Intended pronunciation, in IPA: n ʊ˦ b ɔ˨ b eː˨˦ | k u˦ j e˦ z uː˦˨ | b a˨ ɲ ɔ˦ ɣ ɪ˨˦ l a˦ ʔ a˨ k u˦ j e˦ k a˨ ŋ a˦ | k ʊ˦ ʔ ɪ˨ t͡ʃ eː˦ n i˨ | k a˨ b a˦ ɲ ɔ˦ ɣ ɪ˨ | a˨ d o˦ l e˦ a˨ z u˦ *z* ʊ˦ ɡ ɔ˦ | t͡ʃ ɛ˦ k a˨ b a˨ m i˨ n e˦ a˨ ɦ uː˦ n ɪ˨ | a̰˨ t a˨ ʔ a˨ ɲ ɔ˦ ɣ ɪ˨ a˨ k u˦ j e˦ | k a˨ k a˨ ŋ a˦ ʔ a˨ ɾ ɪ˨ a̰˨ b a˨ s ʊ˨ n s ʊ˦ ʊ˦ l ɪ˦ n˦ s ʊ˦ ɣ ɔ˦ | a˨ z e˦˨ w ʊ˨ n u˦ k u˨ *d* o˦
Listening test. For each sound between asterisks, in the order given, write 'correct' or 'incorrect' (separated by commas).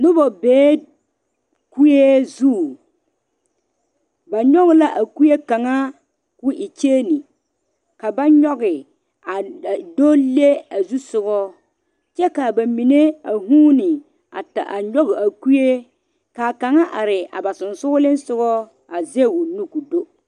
incorrect, correct